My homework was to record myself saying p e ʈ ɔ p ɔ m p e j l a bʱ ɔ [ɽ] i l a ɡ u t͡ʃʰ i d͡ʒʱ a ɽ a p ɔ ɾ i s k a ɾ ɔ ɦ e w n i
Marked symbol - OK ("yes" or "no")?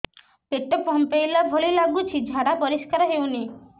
no